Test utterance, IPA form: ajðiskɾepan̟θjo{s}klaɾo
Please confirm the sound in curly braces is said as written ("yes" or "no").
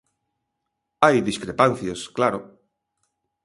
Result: yes